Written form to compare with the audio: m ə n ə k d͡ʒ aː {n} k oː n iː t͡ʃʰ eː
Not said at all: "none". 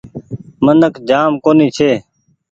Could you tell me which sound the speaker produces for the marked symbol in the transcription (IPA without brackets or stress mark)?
m